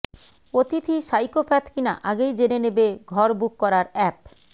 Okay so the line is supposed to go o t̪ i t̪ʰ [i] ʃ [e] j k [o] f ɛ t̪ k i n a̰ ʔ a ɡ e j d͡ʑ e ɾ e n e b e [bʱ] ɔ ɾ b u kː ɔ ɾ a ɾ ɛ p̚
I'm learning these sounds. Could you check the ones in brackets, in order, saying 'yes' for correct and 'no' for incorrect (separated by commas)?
yes, no, yes, no